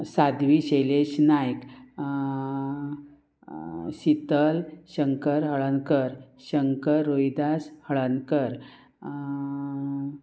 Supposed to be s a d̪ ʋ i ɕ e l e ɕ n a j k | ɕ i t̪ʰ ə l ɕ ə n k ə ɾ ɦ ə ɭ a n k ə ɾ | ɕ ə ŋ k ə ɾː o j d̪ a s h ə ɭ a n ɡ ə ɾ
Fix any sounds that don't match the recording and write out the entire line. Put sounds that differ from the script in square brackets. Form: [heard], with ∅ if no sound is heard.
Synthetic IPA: s a d̪ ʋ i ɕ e l e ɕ n a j k | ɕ i [t̪] ə l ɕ ə [ŋ] k ə ɾ ɦ ə ɭ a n k ə ɾ | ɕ ə ŋ k ə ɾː o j d̪ a s h ə ɭ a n [k] ə ɾ